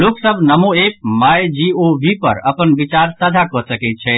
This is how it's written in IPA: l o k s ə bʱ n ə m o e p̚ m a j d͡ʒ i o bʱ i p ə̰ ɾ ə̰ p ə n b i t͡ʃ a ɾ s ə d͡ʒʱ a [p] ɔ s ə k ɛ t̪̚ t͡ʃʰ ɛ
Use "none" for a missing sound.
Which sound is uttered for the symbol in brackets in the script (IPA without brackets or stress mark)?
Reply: k